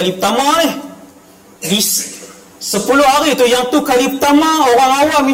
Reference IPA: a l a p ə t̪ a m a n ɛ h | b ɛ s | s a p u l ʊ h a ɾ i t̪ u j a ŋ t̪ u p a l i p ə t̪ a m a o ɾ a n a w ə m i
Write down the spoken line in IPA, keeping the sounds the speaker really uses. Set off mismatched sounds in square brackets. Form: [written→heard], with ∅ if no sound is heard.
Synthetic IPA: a l [a→i] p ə t̪ a m a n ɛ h | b [ɛ→i] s | s [a→ə] p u l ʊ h a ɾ i t̪ u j a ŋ t̪ u [p→k] a l i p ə t̪ a m a o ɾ a [n→ŋ] a w [ə→a] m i